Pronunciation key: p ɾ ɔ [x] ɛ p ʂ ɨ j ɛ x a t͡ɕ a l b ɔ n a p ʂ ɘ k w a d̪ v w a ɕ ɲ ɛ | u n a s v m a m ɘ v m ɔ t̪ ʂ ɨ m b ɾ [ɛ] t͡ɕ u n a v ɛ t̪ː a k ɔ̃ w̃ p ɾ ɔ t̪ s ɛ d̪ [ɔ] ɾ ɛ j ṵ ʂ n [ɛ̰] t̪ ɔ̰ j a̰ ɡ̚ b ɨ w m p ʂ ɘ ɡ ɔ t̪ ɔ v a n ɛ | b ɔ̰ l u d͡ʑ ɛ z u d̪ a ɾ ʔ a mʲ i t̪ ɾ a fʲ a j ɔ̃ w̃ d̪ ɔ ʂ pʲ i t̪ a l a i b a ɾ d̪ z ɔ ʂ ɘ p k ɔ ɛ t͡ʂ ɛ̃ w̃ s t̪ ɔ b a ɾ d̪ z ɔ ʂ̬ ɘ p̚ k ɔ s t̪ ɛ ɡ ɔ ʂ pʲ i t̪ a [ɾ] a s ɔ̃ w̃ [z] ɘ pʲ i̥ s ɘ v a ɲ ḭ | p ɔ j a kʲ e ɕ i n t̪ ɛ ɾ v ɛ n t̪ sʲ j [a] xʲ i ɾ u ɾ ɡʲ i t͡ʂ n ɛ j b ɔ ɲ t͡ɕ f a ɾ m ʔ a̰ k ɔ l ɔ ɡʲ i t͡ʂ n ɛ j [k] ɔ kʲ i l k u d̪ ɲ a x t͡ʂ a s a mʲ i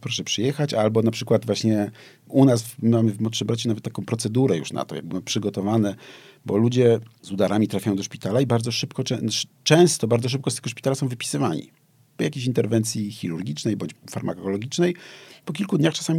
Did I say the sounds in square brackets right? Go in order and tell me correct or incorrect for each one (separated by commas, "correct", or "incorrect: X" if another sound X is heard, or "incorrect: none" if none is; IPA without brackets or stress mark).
incorrect: ʂ, incorrect: a, incorrect: u, incorrect: a̰, incorrect: l, incorrect: v, incorrect: i, incorrect: p